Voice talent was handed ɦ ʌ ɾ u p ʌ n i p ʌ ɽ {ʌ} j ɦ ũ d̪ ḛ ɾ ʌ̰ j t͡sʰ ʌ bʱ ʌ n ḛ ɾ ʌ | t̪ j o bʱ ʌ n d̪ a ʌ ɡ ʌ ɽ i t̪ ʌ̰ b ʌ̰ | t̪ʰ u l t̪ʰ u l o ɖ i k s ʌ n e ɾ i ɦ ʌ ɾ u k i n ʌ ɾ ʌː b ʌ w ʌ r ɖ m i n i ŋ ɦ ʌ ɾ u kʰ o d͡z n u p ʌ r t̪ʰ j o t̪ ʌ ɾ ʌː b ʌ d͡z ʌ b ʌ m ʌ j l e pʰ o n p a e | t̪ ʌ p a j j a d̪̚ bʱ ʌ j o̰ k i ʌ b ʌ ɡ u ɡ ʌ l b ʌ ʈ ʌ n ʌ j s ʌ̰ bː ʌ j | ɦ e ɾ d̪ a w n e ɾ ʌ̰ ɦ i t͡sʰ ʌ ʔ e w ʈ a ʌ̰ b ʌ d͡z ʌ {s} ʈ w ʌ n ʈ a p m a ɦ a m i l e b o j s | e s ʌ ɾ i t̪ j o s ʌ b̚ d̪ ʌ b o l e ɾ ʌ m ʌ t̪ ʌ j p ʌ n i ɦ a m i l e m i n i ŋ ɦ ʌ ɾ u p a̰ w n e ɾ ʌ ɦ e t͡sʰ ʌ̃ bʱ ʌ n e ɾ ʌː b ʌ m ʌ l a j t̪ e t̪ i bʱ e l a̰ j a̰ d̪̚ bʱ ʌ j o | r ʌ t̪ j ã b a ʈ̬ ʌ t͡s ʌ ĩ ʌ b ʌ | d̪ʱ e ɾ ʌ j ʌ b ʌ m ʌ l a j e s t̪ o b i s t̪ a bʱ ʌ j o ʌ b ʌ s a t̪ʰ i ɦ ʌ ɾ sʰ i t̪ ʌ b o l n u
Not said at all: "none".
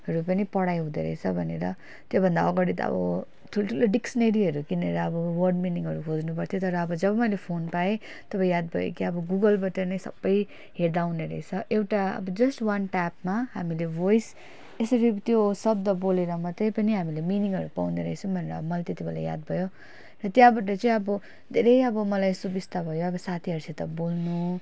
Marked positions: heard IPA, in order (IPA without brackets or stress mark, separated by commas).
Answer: a, s